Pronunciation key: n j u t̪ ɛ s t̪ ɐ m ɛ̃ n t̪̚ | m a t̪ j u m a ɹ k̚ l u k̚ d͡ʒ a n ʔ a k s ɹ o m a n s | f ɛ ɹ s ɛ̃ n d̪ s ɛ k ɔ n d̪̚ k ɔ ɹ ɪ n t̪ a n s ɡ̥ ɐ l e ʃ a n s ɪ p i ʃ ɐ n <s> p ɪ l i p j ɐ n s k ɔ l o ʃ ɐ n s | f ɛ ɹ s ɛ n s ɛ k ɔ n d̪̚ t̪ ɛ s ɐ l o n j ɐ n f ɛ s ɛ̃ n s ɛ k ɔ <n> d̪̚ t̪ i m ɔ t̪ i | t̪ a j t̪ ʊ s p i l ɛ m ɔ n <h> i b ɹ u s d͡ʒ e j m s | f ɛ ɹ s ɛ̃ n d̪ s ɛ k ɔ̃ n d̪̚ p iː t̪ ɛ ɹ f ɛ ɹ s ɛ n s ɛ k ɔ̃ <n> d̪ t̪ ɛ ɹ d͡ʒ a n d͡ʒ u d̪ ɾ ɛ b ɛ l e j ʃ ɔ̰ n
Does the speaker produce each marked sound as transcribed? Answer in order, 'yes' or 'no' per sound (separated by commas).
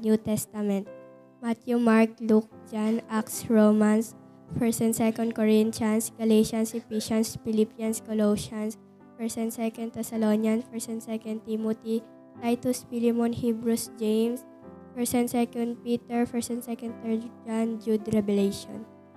yes, yes, yes, yes